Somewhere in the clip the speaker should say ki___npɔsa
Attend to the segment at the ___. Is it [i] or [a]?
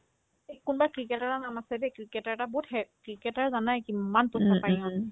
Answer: a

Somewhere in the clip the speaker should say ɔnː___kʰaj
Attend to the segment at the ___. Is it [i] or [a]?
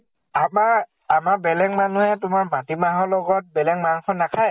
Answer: a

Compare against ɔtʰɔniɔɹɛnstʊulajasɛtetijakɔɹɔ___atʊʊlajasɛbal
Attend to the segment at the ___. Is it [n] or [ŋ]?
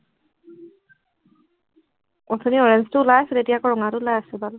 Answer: ŋ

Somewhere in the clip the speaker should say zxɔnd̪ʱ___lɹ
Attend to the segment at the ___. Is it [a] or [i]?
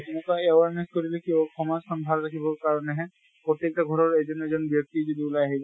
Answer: a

